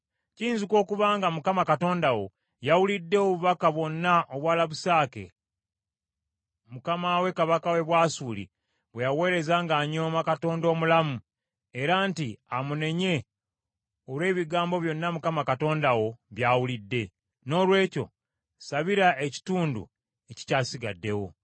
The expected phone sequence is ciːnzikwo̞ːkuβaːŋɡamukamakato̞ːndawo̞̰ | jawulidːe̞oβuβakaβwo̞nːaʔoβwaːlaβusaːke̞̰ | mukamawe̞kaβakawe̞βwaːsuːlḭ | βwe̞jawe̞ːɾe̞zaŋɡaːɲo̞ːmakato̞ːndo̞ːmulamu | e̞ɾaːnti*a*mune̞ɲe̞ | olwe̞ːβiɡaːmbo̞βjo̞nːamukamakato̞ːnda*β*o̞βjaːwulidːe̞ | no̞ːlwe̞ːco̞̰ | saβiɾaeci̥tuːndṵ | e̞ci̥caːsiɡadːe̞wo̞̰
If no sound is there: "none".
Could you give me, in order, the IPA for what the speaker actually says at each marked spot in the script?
a, w

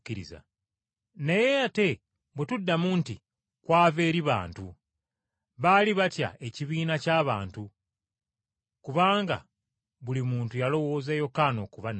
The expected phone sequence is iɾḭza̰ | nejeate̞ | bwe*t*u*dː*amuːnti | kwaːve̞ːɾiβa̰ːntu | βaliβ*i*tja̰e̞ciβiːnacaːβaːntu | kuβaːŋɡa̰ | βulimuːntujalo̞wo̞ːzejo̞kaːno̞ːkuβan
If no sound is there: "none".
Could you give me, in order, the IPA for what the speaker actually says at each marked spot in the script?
t, dː, a

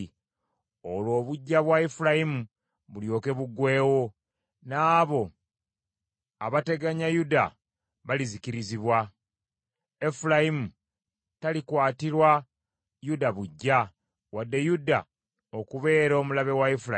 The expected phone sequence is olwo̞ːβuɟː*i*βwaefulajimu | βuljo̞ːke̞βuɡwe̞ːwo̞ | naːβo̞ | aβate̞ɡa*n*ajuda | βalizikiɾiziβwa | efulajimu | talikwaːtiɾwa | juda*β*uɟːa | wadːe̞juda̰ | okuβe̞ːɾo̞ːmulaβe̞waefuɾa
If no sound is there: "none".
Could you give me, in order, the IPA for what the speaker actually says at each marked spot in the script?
a, ɲ, β

